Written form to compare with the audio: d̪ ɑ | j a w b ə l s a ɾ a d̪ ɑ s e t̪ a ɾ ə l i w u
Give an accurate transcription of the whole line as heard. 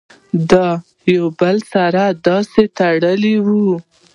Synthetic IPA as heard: d̪ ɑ | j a w b ə l s a ɾ a d̪ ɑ s e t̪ a ɽ ə l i w u

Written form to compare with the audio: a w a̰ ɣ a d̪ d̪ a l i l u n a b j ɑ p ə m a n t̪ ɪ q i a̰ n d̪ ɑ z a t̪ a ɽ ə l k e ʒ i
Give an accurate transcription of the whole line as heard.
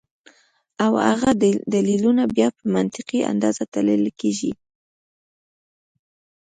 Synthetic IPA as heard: a w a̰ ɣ a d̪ d̪ a l i l u n a b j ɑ p ə m a n t̪ ɪ q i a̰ n d̪ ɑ z a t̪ a l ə l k e ʒ i

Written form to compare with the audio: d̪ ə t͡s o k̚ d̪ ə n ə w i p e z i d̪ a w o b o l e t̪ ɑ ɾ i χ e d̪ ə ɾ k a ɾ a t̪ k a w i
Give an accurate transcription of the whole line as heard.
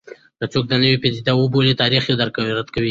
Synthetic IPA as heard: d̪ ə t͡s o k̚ d̪ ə n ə w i p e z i d̪ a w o b o l e t̪ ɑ ɾ i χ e d̪ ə ɾ k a ɾ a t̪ k a w i

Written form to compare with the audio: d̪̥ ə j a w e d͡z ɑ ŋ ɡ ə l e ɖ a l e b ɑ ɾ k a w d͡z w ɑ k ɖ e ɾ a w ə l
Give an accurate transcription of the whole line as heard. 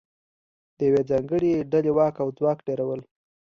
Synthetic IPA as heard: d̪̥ ə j a w e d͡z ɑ ŋ ɡ ə ɽ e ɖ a l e w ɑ k a w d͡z w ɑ k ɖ e ɾ a w ə l

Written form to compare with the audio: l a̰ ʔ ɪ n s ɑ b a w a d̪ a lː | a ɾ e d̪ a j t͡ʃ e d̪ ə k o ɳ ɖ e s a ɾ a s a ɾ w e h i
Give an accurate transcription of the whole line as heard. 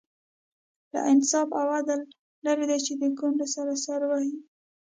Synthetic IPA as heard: l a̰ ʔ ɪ n s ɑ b a w a d̪ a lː | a ɾ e d̪ a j t͡ʃ e d̪ ə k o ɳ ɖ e s a ɾ a s a ɾ w a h i

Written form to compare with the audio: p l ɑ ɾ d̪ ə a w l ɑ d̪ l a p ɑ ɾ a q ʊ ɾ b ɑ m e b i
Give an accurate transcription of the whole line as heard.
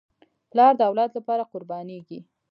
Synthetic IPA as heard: p l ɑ ɾ d̪ ə a w l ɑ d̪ l a p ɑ ɾ a q ʊ ɾ b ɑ n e ɡ i

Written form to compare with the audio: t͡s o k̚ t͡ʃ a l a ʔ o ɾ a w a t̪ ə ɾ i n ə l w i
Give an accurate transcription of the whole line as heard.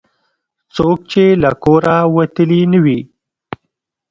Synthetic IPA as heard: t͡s o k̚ t͡ʃ e l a k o ɾ a w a t̪ ə l i n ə w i

